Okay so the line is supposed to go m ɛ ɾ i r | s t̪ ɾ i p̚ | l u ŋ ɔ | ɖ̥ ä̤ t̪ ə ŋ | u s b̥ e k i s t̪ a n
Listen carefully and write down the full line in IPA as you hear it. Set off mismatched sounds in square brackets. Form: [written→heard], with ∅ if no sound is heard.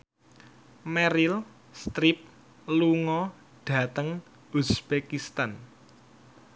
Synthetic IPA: m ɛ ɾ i [r→l] | s t̪ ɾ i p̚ | l u ŋ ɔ | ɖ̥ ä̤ t̪ ə ŋ | u s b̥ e k i s t̪ a n